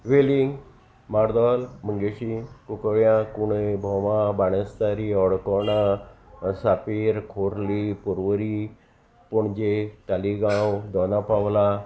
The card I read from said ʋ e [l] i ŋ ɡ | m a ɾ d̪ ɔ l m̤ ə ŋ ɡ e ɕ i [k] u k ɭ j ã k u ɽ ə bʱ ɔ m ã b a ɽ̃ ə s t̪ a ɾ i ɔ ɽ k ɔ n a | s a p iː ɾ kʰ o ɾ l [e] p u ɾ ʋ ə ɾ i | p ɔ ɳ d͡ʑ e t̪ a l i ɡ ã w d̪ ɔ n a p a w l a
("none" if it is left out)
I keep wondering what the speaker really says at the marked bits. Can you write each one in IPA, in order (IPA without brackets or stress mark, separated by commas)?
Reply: l, k, i